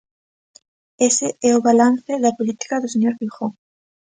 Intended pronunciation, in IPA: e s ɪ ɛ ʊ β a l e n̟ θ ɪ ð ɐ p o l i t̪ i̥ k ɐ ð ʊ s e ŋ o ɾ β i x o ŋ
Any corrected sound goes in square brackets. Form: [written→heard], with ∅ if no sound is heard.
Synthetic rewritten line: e s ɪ ɛ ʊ β a l [e→a] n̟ θ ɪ ð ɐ p o l i t̪ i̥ k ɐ ð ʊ s e [ŋ→ɲ] o ɾ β i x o ŋ